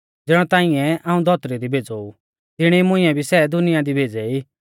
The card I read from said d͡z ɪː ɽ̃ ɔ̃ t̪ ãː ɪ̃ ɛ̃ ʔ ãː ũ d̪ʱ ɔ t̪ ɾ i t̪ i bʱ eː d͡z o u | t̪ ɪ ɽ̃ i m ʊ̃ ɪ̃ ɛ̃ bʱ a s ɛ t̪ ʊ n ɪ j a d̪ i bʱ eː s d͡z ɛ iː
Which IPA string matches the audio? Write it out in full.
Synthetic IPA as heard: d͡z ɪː ɽ̃ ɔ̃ t̪ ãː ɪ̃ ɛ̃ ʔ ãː ũ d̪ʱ ɔ t̪ ɾ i d̪ i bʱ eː d͡z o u | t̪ ɪ ɽ̃ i m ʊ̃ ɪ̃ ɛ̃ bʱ i s ɛ d̪ ʊ n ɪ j a d̪ i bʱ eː d͡z ɛ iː